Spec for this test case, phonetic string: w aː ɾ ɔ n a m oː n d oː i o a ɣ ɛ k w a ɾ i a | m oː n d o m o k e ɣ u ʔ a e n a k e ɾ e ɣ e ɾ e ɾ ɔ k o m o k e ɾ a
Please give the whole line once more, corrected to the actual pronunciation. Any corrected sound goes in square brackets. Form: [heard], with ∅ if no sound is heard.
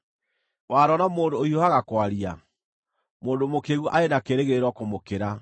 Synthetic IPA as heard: w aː ɾ ɔ n a m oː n d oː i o a ɣ [a] k w a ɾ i a | m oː n d o m o k e ɣ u ʔ a e n a k e ɾ e ɣ e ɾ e ɾ ɔ k o m o k e ɾ a